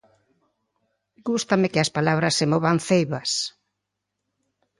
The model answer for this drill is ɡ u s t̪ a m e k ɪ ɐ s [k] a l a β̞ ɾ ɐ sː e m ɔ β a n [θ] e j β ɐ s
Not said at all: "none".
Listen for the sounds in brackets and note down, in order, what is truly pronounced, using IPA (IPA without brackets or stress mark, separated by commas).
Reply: p, θ